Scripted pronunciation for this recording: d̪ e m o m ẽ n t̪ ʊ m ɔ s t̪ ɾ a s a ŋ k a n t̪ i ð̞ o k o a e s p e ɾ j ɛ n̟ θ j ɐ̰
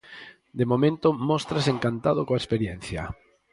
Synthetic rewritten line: d̪ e m o m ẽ n t̪ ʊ m ɔ s t̪ ɾ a s e ŋ k a n t̪ a ð̞ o k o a e s p e ɾ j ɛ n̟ θ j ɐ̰

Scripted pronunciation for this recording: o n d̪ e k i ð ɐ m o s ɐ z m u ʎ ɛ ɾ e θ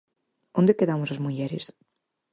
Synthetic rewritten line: o n d̪ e k e ð a m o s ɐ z m u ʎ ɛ ɾ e s

